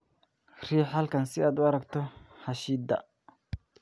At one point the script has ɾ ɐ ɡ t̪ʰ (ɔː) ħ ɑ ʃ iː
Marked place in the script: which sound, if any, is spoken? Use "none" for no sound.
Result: ɔ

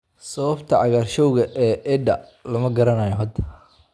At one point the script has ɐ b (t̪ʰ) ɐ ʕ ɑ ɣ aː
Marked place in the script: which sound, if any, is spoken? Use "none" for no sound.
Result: t̪ʰ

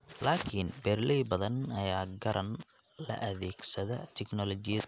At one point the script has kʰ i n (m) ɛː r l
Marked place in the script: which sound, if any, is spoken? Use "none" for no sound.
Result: b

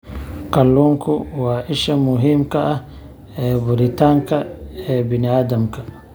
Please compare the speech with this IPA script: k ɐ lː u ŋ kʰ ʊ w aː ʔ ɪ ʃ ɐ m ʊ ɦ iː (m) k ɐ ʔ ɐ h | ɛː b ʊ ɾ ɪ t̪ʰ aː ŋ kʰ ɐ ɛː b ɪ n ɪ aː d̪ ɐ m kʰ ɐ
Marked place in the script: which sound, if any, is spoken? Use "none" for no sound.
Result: m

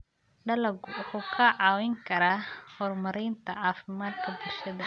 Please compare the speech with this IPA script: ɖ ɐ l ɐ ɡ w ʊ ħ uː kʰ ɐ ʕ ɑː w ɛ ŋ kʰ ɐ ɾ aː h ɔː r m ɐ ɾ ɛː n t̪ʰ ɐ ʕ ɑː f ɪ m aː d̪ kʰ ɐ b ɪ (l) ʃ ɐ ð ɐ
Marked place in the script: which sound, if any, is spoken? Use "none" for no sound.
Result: l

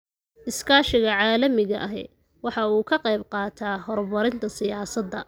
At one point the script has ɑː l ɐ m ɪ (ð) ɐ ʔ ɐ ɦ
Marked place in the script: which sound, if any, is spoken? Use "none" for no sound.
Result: ɣ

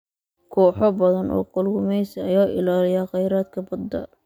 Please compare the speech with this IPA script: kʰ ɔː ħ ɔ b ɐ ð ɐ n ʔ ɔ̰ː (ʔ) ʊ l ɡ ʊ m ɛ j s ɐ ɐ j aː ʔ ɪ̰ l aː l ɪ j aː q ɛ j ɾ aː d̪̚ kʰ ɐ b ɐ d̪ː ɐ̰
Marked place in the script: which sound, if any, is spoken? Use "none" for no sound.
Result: q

